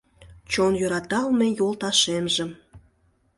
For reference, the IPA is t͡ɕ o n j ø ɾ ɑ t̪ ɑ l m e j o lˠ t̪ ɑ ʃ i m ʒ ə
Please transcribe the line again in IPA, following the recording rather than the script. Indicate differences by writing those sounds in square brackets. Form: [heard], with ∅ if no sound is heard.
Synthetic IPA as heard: t͡ɕ o n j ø ɾ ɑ t̪ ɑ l m e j o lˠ t̪ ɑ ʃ [e] m ʒ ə